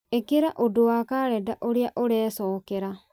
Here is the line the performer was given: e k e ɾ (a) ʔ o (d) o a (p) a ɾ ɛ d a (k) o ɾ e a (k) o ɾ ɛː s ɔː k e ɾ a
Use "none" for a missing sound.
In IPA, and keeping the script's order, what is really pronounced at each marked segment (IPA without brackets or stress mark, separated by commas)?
a, d, k, ʔ, ʔ